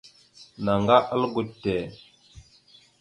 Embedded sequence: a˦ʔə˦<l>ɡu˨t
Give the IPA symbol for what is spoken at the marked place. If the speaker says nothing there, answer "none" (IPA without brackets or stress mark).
l